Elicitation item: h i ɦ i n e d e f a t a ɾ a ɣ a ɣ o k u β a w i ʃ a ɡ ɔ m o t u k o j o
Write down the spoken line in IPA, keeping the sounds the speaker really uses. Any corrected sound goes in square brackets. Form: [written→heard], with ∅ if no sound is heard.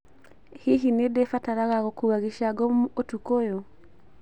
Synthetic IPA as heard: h i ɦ i n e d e f a t a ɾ a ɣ a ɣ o k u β a [w→ɣ] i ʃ a ɡ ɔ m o t u k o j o